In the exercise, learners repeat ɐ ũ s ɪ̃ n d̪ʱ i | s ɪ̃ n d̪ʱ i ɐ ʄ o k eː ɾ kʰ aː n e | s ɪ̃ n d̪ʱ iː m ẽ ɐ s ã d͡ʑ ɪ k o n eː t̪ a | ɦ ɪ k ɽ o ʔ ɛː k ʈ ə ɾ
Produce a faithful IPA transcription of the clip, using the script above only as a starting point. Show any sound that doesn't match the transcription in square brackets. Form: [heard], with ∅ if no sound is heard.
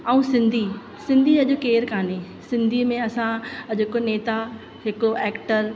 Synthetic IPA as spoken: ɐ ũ s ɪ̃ n d̪ʱ i | s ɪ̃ n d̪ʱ i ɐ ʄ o k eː ɾ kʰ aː n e | s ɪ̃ n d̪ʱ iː m ẽ ɐ s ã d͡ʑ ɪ k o n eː t̪ a | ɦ ɪ k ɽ o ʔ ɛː k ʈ ə ɾ